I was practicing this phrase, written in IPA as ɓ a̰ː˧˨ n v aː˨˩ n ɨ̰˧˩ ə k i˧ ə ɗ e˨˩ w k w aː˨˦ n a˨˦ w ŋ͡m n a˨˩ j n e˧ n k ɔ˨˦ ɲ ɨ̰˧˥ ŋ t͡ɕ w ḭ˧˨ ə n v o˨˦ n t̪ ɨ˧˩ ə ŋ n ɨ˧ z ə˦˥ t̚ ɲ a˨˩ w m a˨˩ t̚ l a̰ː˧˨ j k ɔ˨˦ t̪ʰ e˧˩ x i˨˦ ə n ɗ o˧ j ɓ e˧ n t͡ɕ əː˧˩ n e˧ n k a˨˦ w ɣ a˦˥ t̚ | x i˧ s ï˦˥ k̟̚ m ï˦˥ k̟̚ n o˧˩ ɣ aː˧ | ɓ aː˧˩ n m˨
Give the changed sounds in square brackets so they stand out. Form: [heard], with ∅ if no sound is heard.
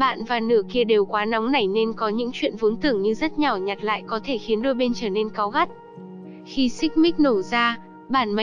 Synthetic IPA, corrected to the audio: ɓ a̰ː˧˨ n v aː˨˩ n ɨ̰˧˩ ə k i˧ ə ɗ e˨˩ w k w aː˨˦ n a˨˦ w ŋ͡m n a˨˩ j n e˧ n k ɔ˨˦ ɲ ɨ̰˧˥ ŋ t͡ɕ w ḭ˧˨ ə n v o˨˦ n t̪ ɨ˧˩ ə ŋ [ɲ] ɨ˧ z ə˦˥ t̚ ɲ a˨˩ w [ɲ] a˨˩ t̚ l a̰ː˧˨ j k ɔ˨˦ t̪ʰ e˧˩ x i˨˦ ə n ɗ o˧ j ɓ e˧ n t͡ɕ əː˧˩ n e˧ n k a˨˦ w ɣ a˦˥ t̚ | x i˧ s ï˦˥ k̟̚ m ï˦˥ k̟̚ n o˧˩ [z] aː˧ | ɓ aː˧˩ n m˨